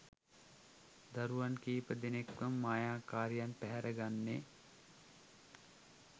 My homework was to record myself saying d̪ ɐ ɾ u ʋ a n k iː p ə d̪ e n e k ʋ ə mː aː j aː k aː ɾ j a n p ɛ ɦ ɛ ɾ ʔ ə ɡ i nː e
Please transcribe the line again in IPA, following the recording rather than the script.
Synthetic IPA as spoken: d̪ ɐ ɾ u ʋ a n k iː p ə d̪ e n e k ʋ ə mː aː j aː k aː ɾ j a n p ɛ ɦ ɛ ɾ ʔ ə ɡ a nː e